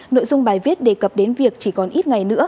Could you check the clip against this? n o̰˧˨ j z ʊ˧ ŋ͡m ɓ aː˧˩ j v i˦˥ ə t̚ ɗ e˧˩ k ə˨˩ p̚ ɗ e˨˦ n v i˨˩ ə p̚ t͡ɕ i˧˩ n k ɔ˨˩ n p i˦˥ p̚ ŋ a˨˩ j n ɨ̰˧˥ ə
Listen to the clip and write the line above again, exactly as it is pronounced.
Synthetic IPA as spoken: n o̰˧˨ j z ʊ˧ ŋ͡m ɓ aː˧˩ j v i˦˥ ə t̚ ɗ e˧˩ k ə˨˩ p̚ ɗ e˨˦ n v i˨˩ ə k̚ t͡ɕ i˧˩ k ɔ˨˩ n ʔ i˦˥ t̚ ŋ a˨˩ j n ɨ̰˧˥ ə